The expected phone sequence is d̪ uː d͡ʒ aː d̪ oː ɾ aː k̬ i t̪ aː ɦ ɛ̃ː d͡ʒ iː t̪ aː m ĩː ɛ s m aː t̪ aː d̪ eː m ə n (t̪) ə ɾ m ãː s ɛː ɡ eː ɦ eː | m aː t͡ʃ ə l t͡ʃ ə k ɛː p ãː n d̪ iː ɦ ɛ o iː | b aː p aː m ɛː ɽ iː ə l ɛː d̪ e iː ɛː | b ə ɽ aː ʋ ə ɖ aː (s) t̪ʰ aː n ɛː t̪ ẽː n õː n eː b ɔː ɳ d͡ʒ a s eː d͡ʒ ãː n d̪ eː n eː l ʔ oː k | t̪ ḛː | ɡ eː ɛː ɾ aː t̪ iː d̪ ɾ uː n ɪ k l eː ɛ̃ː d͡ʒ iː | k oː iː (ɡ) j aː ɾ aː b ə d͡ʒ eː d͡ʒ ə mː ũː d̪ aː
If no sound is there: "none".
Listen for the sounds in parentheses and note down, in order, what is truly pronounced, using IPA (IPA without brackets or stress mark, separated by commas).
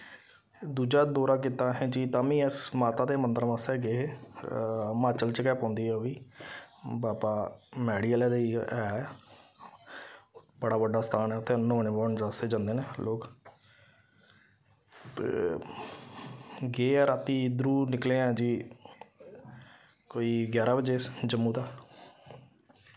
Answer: d̪, s, ɡ